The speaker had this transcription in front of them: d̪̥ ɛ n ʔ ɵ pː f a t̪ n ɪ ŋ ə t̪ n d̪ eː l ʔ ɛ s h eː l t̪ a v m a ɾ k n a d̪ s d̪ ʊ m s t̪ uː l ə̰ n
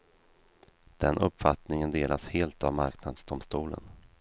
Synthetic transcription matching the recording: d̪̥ ɛ n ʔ ɵ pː f a t̪ n ɪ ŋ ə n d̪ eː l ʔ a s h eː l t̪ a v m a ɾ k n a d̪ s d̪ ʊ m s t̪ uː l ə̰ n